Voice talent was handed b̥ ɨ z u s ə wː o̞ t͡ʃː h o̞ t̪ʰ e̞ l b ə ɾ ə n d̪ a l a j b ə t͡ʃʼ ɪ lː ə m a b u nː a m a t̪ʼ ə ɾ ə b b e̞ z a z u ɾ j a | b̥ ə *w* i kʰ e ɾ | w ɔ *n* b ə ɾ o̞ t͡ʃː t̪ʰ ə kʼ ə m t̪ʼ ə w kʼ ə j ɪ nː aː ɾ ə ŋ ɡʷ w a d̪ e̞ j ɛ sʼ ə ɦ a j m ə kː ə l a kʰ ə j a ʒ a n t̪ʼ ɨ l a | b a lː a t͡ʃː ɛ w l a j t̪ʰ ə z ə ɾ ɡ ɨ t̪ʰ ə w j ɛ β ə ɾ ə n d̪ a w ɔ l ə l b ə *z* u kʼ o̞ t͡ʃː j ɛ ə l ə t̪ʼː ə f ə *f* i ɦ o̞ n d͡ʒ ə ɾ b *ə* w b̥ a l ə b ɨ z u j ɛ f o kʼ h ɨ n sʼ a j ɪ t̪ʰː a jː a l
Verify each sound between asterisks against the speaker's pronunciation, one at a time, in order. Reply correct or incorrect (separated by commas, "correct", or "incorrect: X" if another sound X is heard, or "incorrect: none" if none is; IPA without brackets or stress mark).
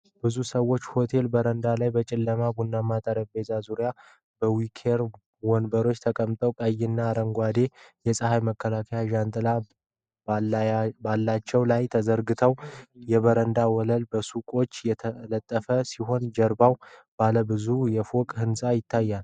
correct, correct, incorrect: s, incorrect: s, incorrect: a